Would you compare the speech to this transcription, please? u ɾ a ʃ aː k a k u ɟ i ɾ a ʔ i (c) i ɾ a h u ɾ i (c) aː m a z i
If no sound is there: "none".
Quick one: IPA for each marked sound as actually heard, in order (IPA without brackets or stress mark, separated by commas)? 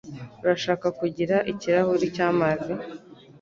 c, c